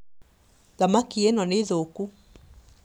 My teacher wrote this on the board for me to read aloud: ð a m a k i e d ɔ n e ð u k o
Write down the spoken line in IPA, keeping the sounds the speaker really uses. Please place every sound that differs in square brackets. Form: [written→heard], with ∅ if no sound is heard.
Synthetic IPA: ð a m a k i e [d→n] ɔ n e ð [u→o] k [o→u]